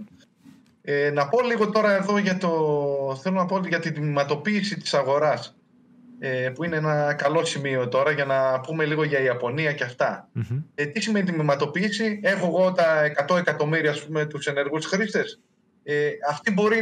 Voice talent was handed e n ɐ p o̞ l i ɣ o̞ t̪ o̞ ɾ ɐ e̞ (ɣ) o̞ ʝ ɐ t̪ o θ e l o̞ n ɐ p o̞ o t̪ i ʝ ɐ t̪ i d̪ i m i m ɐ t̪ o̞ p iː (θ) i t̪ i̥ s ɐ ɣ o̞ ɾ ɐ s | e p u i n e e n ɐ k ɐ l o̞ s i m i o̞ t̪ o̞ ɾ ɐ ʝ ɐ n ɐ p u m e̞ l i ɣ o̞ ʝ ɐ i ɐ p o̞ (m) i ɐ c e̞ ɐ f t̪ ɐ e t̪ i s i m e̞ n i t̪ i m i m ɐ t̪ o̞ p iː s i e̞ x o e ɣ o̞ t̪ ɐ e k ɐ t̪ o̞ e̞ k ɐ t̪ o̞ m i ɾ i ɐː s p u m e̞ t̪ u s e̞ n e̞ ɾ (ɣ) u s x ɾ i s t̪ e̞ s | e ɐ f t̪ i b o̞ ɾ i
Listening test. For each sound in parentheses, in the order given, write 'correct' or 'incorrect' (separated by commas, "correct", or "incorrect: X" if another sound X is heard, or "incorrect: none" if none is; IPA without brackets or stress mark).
incorrect: ð, incorrect: s, incorrect: n, correct